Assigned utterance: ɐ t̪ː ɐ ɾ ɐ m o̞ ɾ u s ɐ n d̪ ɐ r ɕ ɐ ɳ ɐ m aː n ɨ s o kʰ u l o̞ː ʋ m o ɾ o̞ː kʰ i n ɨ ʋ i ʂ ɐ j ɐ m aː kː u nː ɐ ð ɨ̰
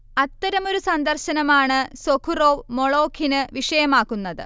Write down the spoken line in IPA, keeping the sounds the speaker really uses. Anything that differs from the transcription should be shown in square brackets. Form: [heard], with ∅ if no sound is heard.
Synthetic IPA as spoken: ɐ t̪ː ɐ ɾ ɐ m o̞ ɾ u s ɐ n d̪ ɐ r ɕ ɐ [n] ɐ m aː [ɳ] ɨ s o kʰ u [r] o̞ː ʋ m o [ɭ] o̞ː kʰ i n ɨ ʋ i ʂ ɐ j ɐ m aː kː u nː ɐ ð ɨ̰